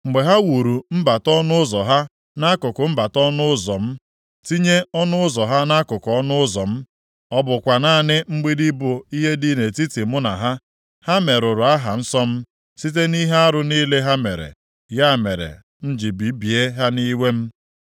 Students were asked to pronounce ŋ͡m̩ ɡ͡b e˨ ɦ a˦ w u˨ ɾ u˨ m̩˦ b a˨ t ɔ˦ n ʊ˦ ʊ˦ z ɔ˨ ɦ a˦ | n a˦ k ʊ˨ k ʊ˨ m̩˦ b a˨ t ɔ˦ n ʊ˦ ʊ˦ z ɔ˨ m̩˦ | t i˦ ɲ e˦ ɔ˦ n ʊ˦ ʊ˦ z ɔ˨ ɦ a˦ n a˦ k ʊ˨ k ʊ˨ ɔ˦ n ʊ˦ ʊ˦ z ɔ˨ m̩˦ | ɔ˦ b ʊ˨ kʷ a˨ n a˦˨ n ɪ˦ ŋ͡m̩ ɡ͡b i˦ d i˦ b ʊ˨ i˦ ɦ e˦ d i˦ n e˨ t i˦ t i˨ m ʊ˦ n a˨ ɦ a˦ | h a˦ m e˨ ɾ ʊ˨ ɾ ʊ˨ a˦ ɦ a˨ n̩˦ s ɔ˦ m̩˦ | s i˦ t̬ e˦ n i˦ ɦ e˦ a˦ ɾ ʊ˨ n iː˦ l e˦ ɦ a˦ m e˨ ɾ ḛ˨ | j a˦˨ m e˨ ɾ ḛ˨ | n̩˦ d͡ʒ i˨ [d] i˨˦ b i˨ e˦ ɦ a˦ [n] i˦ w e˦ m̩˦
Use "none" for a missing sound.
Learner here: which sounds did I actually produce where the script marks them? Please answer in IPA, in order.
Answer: b, n

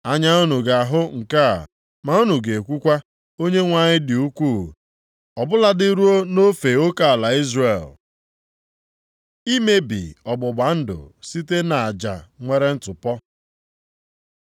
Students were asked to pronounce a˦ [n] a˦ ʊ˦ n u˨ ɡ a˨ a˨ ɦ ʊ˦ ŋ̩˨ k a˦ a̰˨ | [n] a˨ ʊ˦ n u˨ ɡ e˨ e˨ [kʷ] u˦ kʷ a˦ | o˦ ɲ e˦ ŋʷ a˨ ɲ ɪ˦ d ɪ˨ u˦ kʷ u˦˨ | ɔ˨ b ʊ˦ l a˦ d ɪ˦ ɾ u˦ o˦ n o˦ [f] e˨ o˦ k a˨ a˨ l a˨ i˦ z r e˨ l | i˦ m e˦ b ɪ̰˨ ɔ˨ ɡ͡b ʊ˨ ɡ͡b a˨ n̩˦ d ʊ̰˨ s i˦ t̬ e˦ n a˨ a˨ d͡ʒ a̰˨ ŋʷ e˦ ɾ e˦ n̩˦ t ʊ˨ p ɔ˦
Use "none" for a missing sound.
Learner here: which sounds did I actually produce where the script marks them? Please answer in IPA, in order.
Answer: ɲ, m, kʷ, f

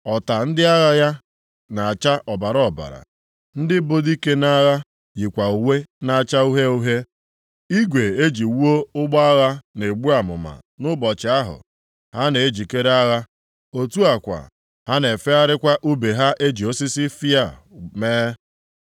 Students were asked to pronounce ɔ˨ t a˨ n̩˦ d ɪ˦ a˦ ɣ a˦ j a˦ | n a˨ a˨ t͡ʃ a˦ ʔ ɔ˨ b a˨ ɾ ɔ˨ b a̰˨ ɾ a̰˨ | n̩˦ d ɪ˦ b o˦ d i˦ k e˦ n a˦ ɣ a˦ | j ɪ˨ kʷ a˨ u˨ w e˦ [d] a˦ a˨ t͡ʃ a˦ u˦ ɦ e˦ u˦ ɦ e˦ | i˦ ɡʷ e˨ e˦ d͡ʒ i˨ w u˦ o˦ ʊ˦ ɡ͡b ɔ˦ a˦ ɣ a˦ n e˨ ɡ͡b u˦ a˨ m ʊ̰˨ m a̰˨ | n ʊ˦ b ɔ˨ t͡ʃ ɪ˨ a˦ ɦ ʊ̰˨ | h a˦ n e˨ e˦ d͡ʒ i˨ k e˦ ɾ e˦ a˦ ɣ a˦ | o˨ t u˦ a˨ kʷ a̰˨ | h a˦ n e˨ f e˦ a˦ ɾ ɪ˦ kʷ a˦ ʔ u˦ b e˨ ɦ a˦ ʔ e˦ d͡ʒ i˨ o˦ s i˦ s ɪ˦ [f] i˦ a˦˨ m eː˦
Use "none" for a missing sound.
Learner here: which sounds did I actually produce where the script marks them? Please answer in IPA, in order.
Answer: n, f

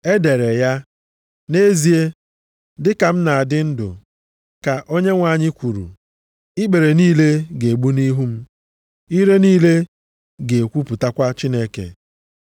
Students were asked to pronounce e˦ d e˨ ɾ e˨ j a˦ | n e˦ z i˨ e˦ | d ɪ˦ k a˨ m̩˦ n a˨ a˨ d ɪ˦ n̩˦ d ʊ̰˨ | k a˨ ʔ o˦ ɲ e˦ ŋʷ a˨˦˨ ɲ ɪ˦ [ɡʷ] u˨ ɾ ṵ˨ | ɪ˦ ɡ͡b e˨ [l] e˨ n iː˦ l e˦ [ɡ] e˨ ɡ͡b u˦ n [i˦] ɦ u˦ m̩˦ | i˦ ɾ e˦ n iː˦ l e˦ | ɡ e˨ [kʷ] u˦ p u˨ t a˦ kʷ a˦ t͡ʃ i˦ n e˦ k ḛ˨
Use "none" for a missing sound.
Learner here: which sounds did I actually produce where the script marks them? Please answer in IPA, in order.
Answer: kʷ, ɾ, ɡ, i˦, kʷ

